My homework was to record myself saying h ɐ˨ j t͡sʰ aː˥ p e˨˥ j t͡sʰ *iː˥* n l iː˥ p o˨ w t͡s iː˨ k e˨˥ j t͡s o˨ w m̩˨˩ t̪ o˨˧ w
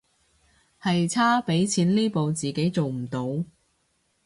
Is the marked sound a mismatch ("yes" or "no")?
yes